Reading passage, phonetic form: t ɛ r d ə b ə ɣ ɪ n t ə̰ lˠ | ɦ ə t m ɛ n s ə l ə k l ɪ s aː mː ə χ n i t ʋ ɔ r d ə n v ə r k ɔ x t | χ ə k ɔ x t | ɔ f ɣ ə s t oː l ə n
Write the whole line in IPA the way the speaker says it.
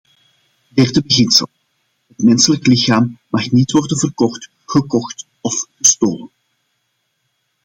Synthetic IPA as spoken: d ɛ r d ə b ə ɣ ɪ n s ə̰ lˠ | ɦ ə t m ɛ n s ə l ə k l ɪ x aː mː ɑ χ n i t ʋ ɔ r d ə n v ə r k ɔ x t | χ ə k ɔ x t | ɔ f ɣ ə s t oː l ə n